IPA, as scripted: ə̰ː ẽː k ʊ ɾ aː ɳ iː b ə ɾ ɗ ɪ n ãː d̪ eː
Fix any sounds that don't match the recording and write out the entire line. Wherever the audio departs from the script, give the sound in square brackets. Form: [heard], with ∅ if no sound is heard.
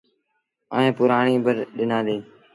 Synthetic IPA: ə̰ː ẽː [p] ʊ ɾ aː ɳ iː b ə ɾ ɗ ɪ n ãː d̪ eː